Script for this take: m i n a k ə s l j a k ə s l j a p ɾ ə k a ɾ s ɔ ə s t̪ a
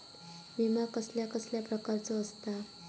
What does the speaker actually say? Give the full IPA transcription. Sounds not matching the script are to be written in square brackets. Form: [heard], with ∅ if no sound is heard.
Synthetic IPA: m i [m] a k ə s l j a k ə s l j a p ɾ ə k a ɾ [t͡s] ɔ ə s t̪ a